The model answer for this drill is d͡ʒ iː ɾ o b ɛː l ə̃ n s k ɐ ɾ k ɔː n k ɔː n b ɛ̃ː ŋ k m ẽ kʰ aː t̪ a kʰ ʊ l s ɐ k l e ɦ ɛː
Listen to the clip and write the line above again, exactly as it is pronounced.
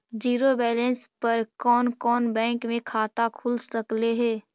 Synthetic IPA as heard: d͡ʒ iː ɾ o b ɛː l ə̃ n s p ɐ ɾ k ɔː n k ɔː n b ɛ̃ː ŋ k m ẽ kʰ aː t̪ a kʰ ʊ l s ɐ k l e ɦ ɛː

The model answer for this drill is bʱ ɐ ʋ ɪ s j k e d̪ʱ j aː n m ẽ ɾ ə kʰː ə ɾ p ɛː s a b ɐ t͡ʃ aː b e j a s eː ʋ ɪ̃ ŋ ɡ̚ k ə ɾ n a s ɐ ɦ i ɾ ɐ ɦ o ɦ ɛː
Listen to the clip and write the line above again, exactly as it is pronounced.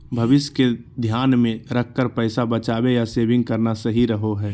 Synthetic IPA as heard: bʱ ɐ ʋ ɪ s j k e d̪ʱ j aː n m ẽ ɾ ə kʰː ə ɾ p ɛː s a b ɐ t͡ʃ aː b e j a s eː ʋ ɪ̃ ŋ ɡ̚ k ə ɾ n a s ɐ ɦ i ɾ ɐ ɦ o ɦ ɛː

